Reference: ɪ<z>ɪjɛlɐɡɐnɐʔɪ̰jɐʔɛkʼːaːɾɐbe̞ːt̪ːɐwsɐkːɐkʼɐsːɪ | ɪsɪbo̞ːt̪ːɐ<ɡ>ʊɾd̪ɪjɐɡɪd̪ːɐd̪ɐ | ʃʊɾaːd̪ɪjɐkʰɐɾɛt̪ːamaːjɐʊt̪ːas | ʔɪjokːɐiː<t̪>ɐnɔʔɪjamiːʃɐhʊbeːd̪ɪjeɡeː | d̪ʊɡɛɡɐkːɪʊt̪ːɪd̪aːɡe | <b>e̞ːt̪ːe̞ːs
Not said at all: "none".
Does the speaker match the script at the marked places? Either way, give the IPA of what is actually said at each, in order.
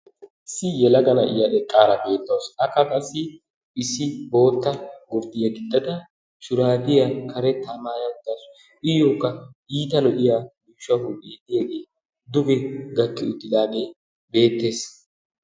s, ɡ, t̪, b

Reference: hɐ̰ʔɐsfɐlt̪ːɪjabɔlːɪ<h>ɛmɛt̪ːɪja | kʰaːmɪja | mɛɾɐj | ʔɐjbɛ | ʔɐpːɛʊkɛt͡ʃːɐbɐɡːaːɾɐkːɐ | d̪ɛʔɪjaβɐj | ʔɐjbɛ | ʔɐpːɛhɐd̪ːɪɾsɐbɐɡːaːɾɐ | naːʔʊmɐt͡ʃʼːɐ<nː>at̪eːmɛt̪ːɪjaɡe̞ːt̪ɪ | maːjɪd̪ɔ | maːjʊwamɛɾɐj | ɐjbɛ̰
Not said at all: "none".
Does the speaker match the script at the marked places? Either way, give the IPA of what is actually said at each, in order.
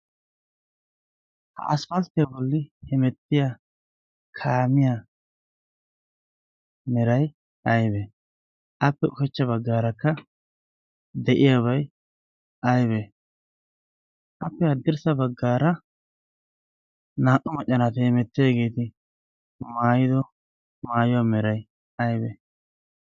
h, n

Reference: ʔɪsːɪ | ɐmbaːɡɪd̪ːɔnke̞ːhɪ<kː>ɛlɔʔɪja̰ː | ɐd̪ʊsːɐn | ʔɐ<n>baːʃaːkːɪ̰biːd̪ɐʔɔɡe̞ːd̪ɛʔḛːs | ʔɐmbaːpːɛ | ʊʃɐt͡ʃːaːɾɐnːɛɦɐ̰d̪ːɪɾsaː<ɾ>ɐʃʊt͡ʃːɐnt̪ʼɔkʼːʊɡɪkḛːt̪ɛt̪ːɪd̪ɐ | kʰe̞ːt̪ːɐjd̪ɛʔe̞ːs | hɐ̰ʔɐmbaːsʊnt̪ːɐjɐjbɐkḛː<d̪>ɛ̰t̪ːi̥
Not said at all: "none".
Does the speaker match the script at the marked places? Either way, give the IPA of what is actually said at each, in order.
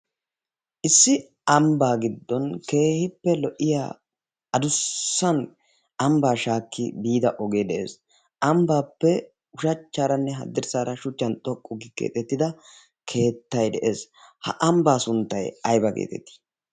pː, m, ɾ, t̪

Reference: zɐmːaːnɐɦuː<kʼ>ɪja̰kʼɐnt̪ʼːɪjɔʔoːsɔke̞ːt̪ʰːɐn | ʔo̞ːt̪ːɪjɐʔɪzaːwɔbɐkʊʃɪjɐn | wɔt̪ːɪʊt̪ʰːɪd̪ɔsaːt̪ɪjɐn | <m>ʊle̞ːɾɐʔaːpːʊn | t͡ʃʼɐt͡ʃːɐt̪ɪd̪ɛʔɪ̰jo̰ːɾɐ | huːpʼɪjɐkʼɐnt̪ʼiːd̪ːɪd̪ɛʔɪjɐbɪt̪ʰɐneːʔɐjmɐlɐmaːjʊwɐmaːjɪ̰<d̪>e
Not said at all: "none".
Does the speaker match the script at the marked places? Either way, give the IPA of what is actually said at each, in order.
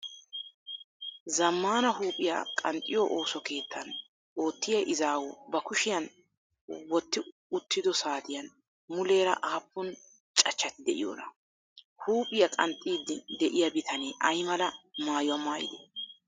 pʼ, m, d̪

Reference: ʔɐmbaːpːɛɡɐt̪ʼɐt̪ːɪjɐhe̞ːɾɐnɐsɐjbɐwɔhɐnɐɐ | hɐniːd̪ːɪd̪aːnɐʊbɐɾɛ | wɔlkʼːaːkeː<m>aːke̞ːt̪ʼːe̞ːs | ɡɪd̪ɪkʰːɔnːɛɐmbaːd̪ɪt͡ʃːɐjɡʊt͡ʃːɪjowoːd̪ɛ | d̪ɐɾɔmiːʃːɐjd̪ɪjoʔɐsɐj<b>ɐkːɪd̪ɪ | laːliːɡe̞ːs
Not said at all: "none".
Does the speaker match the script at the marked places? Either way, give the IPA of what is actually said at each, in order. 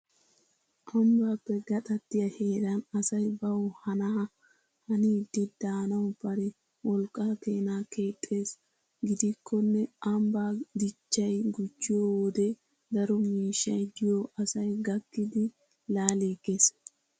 n, ɡ

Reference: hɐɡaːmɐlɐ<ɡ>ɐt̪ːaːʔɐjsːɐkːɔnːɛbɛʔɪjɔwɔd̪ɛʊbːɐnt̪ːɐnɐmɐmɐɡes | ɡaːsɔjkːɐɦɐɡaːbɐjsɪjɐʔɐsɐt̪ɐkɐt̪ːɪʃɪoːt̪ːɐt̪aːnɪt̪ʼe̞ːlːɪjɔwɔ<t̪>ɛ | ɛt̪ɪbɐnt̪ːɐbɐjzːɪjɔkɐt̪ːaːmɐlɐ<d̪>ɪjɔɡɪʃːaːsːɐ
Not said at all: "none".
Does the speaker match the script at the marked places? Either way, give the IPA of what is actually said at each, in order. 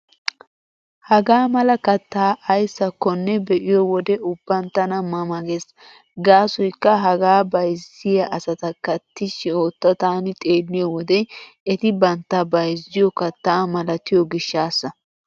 k, d̪, t̪

